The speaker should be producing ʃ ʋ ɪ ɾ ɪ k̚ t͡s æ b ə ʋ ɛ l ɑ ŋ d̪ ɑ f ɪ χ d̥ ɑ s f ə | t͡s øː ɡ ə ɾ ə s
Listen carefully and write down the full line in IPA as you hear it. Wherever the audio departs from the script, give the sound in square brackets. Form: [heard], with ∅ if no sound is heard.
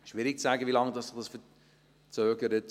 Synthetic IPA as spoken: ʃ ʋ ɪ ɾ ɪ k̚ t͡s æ [ɡ] ə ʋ [i] l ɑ ŋ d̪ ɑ [s] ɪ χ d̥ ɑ s f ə | t͡s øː ɡ ə ɾ ə [t]

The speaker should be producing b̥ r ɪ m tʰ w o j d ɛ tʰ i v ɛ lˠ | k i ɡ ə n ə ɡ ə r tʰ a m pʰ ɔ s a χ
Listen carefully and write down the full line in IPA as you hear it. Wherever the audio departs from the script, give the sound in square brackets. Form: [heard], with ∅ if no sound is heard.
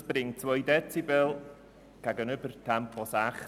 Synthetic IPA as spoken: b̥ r ɪ [ŋ] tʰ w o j d ɛ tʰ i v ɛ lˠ | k [a] ɡ ə n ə [b] ə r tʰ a m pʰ ɔ s a χ

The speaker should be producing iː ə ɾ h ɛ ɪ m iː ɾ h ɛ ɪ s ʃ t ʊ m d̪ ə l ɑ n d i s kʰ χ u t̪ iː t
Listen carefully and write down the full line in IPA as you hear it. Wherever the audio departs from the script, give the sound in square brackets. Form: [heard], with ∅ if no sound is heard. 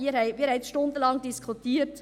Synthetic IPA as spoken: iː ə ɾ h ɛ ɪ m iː ɾ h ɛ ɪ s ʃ t ʊ [n] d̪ ə l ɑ [ŋ] d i s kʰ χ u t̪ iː t

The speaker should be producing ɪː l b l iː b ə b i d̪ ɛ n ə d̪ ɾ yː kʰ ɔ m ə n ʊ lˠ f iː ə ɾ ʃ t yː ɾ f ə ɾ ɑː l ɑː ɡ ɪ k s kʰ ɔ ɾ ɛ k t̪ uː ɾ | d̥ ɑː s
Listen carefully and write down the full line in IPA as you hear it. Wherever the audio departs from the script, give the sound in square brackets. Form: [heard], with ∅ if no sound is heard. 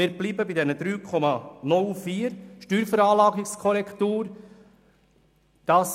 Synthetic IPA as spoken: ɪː [ɾ] b l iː b ə b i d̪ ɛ n ə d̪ ɾ yː kʰ ɔ m [ɑ] n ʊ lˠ f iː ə ɾ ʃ t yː ɾ f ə ɾ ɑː l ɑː ɡ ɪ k s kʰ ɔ ɾ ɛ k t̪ uː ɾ | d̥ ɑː s

